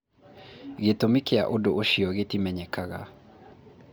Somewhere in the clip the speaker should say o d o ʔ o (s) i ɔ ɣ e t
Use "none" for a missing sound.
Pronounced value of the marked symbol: ʃ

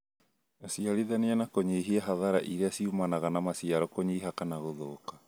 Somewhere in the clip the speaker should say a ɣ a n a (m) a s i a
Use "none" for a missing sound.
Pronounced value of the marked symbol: m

